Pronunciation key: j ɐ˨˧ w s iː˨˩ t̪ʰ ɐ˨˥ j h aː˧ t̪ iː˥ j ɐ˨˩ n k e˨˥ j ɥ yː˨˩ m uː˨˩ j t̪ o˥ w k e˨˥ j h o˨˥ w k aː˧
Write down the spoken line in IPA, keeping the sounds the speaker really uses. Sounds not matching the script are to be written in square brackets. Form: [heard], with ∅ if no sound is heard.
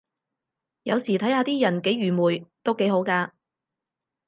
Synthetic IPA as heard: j ɐ˨˧ w s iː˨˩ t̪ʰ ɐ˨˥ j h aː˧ t̪ iː˥ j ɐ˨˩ n k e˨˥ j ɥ yː˨˩ m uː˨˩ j t̪ o˥ w k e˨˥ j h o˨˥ w k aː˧